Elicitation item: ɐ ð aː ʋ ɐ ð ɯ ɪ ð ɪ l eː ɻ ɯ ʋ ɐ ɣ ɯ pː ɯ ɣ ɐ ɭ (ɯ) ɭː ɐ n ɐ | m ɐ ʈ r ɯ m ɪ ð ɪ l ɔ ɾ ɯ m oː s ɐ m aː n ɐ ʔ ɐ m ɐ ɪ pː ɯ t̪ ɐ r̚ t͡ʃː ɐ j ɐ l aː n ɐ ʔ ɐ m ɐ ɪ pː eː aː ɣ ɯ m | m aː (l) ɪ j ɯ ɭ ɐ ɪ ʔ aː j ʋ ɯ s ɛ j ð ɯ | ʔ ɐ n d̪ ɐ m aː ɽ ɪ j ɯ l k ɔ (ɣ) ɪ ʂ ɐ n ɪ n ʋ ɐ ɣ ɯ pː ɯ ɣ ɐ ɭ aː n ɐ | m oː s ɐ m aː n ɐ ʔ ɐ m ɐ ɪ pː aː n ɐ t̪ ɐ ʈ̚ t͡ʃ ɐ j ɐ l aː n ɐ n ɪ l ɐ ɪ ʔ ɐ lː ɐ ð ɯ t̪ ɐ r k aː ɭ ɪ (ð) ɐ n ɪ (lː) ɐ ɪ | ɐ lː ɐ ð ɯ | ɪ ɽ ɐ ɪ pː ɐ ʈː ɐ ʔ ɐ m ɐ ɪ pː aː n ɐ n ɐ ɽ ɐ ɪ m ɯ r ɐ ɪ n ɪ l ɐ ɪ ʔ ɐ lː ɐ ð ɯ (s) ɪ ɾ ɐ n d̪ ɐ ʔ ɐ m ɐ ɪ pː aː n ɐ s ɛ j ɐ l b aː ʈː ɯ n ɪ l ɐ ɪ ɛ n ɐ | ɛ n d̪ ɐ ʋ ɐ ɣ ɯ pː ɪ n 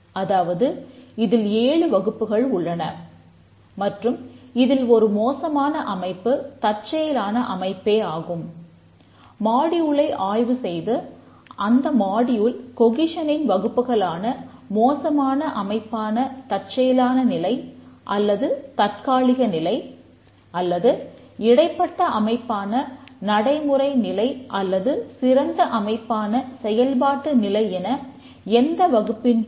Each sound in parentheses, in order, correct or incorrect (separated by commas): incorrect, incorrect, correct, incorrect, incorrect, correct